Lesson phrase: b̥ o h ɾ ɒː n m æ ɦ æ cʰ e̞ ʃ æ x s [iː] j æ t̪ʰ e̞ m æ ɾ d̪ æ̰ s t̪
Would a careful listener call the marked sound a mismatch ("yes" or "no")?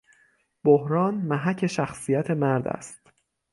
yes